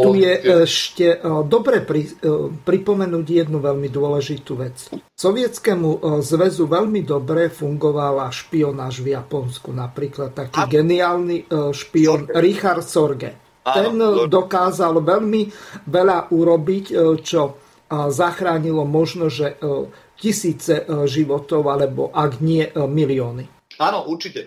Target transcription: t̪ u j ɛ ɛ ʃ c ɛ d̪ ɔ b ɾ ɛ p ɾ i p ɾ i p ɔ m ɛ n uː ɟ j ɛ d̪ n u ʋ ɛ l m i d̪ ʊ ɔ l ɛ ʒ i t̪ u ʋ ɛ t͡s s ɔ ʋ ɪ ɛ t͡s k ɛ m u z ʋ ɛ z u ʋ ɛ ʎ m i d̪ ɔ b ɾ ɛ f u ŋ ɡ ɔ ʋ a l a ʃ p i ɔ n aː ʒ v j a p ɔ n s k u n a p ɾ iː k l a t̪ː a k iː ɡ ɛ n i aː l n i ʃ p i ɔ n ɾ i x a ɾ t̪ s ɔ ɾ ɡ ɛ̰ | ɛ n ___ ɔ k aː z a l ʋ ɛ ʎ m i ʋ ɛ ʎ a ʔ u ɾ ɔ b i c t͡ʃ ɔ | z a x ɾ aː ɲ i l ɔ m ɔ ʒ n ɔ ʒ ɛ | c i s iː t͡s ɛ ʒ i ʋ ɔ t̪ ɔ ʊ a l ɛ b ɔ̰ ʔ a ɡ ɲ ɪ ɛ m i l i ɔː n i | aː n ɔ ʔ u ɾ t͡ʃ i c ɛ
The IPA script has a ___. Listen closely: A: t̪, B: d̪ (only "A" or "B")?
B